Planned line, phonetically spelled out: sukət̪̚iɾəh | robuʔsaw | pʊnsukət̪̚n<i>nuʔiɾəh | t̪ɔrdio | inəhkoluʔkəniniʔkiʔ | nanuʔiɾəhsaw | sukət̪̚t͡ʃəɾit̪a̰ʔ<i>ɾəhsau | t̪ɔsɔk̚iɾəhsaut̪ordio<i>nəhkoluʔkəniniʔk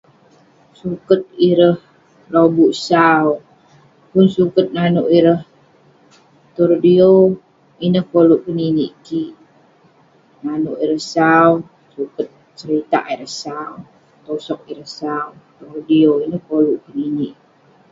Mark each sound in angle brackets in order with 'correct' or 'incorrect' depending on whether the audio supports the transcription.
incorrect: a, correct, correct

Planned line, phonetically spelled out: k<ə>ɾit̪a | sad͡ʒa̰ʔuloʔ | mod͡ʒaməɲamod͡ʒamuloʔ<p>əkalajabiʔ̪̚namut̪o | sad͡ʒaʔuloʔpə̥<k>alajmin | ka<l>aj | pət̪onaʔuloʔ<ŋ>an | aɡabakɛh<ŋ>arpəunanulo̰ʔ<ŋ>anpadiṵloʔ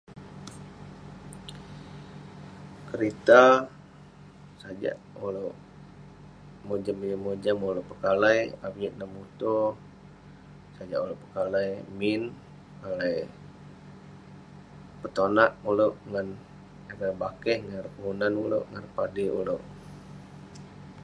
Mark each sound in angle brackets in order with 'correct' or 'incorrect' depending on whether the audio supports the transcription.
correct, correct, correct, correct, correct, correct, correct

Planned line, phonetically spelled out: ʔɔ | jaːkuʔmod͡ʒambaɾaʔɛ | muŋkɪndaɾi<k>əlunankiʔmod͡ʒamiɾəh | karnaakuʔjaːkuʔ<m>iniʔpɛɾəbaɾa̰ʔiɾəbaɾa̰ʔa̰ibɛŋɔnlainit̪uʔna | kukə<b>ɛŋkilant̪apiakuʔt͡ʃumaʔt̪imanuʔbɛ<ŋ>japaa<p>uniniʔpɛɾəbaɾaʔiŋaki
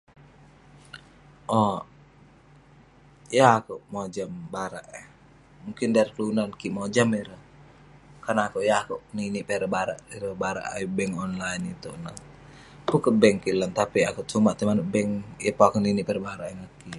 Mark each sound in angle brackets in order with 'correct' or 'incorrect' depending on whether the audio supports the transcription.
correct, incorrect: n, correct, correct, incorrect: k

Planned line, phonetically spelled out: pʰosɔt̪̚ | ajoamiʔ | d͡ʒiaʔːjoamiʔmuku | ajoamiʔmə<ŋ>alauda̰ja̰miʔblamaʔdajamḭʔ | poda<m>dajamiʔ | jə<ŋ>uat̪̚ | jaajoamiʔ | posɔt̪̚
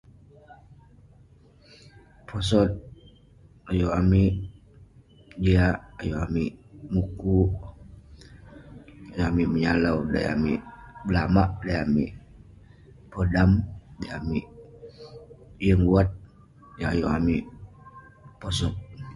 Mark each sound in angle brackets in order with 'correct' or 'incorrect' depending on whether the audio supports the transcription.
incorrect: ɲ, correct, correct

